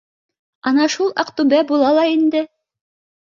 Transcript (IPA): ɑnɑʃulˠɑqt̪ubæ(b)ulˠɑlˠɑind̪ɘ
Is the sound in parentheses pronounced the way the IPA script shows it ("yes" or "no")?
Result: yes